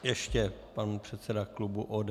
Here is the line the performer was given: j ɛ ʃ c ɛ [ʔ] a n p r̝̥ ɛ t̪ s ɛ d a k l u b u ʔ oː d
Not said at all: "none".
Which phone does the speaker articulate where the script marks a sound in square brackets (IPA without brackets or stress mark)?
p